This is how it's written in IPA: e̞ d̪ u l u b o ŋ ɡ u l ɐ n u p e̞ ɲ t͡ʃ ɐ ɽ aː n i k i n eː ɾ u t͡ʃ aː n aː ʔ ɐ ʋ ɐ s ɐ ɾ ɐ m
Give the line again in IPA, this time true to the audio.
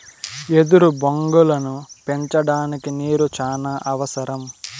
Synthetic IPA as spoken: e̞ d̪ u ɾ u b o ŋ ɡ u l ɐ n u p e̞ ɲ t͡ʃ ɐ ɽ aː n i k i n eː ɾ u t͡ʃ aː n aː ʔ ɐ ʋ ɐ s ɐ ɾ ɐ m